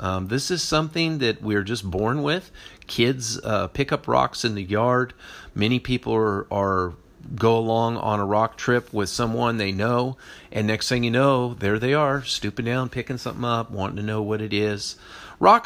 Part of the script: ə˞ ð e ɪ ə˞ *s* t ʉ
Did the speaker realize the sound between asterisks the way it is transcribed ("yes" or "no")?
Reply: yes